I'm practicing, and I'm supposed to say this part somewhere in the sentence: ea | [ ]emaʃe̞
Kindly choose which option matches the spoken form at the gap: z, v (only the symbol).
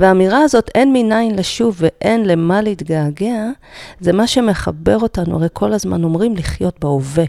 z